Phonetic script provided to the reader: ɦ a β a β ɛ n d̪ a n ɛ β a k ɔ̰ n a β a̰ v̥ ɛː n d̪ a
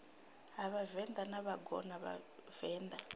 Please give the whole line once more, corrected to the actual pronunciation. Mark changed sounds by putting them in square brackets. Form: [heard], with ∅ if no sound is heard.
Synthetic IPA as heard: ɦ a β a [v] ɛ n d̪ a n [a] β a [ɡ] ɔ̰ n a β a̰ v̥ ɛː n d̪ a